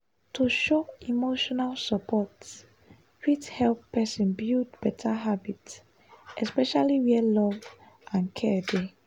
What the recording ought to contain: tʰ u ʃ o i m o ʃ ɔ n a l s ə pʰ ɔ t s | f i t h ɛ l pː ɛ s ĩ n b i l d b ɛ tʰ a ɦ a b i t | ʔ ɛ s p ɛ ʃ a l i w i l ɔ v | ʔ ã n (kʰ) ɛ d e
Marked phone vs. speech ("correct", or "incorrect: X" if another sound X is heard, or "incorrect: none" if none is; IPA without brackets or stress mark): correct